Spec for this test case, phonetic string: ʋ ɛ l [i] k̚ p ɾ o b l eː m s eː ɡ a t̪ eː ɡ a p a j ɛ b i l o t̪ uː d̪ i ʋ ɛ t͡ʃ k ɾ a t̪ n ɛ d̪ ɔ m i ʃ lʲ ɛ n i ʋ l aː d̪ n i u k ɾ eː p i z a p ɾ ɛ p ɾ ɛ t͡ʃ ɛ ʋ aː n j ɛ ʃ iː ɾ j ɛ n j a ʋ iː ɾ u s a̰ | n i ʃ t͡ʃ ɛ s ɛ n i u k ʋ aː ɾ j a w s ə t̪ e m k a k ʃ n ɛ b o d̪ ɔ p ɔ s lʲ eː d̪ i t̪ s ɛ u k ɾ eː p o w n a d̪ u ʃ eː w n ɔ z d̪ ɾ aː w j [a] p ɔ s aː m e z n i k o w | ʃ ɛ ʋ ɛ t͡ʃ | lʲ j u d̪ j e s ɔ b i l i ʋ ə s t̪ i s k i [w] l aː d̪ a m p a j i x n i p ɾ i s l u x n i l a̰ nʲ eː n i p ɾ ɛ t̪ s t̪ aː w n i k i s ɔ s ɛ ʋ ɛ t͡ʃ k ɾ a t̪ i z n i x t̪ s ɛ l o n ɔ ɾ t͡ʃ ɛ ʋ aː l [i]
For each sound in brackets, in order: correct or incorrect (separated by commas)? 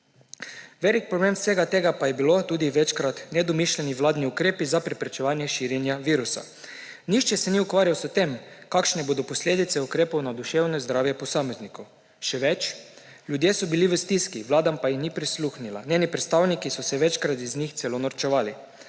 correct, incorrect, incorrect, correct